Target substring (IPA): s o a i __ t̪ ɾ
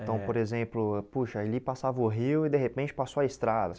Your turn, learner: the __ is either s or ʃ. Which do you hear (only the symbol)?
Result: s